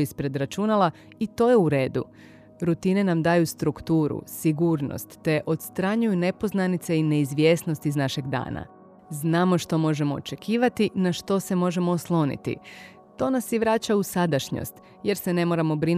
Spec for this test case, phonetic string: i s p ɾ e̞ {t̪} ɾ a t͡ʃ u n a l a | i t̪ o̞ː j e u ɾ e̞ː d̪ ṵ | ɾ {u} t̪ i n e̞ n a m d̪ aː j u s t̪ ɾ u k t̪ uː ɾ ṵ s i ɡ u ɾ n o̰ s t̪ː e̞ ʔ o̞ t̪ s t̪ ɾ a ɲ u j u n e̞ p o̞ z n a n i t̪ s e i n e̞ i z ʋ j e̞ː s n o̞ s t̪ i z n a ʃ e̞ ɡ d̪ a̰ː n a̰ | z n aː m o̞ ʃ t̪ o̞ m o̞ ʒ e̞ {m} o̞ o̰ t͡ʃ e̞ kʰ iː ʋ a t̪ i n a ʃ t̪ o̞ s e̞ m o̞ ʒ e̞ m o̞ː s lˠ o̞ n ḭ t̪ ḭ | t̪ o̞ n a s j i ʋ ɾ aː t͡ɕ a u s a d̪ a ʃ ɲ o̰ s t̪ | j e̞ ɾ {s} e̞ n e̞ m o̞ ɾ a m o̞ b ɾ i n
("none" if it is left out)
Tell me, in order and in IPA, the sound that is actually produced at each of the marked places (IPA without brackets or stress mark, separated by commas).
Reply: d̪, u, m, s